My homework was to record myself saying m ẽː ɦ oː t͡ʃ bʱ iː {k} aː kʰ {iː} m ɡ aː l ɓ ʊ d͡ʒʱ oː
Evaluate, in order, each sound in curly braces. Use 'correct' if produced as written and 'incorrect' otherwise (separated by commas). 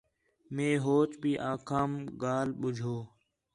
incorrect, incorrect